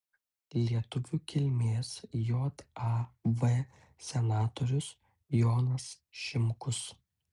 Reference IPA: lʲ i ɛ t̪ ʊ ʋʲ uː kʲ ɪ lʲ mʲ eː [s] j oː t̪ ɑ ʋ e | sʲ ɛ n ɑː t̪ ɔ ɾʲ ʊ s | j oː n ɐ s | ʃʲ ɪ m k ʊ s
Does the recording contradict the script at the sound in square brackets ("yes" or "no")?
no